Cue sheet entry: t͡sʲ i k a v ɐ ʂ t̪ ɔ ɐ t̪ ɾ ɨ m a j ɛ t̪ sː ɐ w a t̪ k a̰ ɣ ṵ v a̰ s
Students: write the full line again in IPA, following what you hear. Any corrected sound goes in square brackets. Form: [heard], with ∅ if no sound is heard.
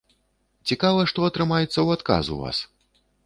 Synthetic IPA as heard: t͡sʲ i k a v ɐ ʂ t̪ ɔ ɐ t̪ ɾ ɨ m a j ɛ t̪ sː ɐ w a t̪ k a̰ [z] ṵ v a̰ s